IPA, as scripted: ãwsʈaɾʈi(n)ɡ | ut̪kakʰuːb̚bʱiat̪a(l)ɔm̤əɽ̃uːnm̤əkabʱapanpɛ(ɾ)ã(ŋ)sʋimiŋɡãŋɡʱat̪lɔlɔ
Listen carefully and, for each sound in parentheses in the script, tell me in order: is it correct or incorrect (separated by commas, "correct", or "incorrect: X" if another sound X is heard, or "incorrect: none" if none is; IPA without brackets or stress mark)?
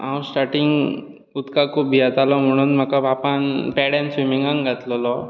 incorrect: ŋ, correct, incorrect: ɽ, incorrect: n